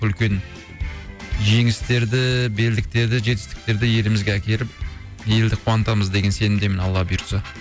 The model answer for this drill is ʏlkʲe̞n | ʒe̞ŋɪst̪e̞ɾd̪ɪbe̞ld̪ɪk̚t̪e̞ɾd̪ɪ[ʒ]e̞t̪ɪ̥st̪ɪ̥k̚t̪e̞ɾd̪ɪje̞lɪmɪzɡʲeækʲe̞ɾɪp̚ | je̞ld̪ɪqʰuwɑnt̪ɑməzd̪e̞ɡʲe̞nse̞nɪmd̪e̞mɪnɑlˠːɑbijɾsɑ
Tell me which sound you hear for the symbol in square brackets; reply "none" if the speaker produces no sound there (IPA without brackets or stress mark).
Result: ʒ